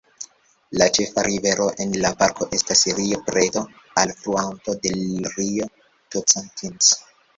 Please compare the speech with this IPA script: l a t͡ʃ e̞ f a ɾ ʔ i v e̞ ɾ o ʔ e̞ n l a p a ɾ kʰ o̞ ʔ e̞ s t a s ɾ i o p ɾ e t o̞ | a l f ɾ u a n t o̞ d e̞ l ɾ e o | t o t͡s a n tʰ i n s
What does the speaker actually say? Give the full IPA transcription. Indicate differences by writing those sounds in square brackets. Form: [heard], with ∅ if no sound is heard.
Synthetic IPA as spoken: l a t͡ʃ e̞ f a ɾ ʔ i v e̞ ɾ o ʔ e̞ n l a p a ɾ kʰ o̞ ʔ e̞ s t a s ɾ i o p ɾ e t o̞ | a l f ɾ u a n t o̞ d e̞ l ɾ [i] o | t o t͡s a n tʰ i n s